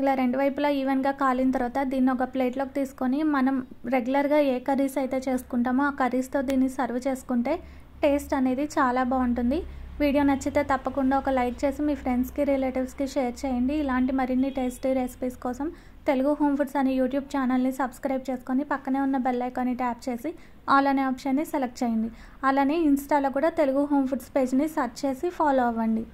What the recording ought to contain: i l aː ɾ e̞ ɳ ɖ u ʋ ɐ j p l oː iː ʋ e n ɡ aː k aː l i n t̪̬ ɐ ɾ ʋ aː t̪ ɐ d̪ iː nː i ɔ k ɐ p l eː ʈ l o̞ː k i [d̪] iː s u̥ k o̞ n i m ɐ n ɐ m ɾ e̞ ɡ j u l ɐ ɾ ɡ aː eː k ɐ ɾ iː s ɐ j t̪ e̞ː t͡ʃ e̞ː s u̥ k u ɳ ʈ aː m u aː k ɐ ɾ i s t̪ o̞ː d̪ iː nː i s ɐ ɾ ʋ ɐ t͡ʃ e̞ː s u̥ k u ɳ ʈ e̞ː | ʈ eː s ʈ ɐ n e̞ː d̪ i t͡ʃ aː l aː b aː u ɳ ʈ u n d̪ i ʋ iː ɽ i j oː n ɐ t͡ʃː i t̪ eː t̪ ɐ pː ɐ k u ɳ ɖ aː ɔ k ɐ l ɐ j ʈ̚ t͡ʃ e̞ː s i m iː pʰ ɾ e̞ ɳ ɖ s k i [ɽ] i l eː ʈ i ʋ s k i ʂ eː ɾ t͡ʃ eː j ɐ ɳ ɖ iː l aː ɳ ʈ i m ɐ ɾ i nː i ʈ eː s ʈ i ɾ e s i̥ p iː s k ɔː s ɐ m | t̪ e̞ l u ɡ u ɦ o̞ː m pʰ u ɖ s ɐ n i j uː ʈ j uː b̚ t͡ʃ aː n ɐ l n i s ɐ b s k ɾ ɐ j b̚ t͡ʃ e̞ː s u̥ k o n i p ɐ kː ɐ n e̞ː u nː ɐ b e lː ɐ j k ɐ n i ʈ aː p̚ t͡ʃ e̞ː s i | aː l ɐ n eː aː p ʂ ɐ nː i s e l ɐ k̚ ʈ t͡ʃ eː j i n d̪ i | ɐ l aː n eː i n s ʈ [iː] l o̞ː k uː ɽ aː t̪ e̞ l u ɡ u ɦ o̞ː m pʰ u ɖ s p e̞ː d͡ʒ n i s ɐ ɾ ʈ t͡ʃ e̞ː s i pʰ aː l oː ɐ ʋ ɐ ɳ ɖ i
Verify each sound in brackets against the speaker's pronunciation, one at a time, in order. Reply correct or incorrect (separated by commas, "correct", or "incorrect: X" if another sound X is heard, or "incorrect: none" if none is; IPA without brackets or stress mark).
incorrect: t̪, incorrect: ɾ, incorrect: aː